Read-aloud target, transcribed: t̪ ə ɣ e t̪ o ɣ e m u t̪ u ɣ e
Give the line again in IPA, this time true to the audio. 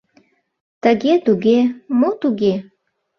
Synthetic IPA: t̪ ə ɣ e t̪ u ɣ e m o t̪ u ɣ e